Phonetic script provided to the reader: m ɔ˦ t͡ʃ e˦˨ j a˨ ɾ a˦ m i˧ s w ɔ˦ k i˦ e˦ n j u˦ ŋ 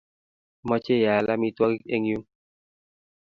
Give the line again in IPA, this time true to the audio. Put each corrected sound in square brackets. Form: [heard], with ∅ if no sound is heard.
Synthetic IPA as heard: m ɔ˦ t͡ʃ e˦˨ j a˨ [l] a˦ m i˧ [t] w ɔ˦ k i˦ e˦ [ŋ] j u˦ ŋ